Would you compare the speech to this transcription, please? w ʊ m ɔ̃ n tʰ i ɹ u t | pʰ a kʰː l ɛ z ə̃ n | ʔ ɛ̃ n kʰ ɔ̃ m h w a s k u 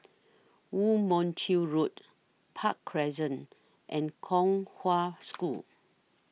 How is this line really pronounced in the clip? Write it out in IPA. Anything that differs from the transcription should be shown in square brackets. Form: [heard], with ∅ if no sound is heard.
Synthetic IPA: w [u] m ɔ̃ n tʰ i ɹ u t | pʰ a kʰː [ɹ] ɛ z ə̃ n | ʔ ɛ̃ n kʰ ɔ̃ [ŋ] h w a s k u